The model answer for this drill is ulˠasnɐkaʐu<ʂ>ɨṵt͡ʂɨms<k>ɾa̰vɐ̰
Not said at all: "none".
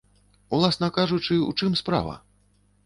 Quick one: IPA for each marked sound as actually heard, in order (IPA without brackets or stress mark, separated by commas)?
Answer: t͡ʂ, p